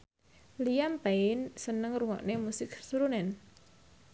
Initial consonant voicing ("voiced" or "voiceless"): voiced